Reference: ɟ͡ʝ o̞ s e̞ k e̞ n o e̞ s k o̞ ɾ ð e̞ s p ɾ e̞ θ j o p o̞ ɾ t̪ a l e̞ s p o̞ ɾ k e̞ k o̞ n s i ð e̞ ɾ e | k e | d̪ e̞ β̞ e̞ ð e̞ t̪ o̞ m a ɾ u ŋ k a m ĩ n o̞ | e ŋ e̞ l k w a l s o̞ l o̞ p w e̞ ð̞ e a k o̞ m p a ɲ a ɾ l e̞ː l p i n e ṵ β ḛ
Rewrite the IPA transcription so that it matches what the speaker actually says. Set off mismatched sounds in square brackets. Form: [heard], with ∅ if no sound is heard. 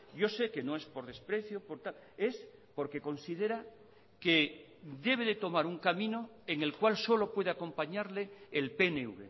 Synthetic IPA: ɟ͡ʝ o̞ s e̞ k e̞ n o e̞ s [p] o̞ ɾ ð e̞ s p ɾ e̞ θ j o p o̞ ɾ t̪ a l e̞ s p o̞ ɾ k e̞ k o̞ n s i ð e̞ ɾ [a] | k e | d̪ e̞ β̞ e̞ ð e̞ t̪ o̞ m a ɾ u ŋ k a m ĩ n o̞ | e ŋ e̞ l k w a l s o̞ l o̞ p w e̞ ð̞ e a k o̞ m p a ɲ a ɾ l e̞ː l p [e] n e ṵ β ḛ